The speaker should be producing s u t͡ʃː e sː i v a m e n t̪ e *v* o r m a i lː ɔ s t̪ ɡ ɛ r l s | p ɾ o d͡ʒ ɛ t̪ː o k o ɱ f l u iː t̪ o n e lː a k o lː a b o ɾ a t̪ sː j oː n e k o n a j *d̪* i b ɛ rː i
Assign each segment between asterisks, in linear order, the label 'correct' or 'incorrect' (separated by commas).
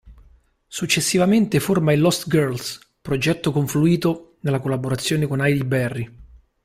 incorrect, correct